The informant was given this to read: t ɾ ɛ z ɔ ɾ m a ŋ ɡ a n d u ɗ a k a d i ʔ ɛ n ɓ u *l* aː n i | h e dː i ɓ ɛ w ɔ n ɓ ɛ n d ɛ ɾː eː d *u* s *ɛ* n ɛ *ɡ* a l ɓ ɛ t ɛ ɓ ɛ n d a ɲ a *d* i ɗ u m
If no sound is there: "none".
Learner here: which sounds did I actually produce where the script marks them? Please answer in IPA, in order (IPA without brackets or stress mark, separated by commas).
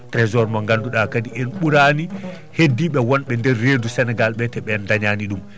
ɾ, u, ɛ, ɡ, n